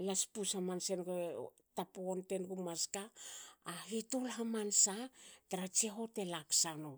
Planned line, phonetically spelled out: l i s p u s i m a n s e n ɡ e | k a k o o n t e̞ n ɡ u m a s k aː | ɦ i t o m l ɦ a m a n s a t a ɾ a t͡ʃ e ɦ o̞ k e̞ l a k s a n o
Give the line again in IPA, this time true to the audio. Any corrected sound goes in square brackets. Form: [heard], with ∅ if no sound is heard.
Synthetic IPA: l [a] s p u s [a] m a n s e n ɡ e | [t] a [p] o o n t e̞ n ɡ u m a s k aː | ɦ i t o [∅] l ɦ a m a n s a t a ɾ a t͡ʃ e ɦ o̞ [t] e̞ l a k s a n o